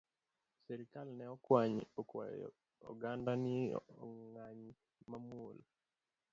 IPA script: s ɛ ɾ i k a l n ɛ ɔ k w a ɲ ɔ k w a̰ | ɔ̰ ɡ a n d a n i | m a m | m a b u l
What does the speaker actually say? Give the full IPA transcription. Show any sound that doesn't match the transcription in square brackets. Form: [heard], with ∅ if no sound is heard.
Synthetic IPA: s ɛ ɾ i k a l n ɛ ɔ k w a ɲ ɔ k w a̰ | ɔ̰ ɡ a n d a n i | [ŋ] a [ɲ] | m a [m] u l